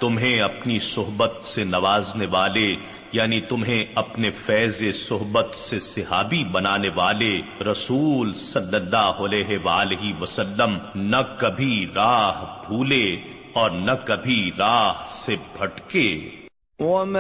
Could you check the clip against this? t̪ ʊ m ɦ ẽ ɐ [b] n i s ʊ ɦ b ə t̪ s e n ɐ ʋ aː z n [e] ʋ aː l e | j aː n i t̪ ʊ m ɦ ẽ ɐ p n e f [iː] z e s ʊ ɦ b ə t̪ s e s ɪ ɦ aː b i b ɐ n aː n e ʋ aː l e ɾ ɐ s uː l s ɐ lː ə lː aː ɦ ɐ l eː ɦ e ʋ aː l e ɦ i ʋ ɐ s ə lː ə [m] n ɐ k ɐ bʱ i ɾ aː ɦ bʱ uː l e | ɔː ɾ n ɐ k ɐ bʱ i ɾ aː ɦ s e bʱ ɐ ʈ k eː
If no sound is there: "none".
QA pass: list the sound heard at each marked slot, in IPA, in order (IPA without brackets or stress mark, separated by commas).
p, e, ɛː, m